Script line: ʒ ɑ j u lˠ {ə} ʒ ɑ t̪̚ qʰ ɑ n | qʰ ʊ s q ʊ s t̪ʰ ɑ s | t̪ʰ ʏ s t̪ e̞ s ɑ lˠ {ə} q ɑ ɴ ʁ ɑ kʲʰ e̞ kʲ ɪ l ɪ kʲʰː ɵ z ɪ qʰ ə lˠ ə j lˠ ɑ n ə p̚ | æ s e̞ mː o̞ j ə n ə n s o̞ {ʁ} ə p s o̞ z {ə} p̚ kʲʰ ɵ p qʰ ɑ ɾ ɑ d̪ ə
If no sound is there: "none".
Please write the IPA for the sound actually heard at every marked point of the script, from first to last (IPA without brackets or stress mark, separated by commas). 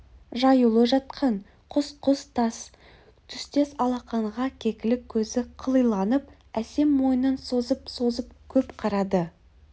ə, ɑ, z, ə